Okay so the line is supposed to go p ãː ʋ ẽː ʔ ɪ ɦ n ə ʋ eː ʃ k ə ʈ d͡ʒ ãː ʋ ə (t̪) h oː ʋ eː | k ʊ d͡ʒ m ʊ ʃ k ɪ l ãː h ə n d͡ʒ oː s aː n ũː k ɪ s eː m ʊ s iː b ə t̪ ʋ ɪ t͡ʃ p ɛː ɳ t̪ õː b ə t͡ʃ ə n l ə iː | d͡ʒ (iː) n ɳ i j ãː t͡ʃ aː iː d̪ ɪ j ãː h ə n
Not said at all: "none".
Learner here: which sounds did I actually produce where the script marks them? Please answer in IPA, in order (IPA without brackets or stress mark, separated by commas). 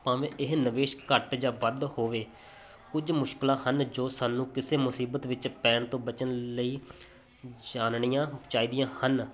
d̪, aː